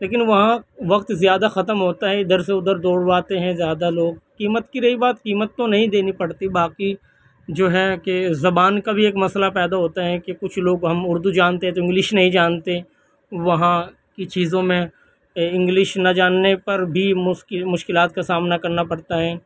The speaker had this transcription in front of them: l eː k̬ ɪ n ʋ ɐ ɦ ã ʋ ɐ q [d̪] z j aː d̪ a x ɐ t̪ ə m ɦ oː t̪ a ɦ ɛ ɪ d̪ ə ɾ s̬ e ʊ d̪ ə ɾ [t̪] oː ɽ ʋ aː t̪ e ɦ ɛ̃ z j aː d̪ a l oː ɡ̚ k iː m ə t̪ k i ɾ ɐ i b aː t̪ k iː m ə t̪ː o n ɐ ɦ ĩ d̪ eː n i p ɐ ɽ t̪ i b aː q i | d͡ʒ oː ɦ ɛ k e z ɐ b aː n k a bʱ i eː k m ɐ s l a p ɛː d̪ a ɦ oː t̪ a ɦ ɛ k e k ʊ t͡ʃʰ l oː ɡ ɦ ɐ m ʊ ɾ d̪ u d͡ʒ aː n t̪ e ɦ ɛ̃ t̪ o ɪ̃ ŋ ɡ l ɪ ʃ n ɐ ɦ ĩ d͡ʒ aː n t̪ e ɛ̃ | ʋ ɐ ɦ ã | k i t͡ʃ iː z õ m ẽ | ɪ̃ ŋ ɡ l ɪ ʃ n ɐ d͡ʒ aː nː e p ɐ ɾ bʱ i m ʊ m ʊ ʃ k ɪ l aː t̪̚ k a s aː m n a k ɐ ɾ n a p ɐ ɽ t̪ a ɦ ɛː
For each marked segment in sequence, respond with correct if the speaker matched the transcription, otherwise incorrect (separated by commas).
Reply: incorrect, incorrect